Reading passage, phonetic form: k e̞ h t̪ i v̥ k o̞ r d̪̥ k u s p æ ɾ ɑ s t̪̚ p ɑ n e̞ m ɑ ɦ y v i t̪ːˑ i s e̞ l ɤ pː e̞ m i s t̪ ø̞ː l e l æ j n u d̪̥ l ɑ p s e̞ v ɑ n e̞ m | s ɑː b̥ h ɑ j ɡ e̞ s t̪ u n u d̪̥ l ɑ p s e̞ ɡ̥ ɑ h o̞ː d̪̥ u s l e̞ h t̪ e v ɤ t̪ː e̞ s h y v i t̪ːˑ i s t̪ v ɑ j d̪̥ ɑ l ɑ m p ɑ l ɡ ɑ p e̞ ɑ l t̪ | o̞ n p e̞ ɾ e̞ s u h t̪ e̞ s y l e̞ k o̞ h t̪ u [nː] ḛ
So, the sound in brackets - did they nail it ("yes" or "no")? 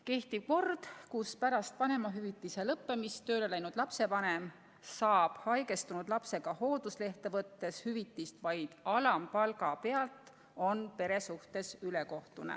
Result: no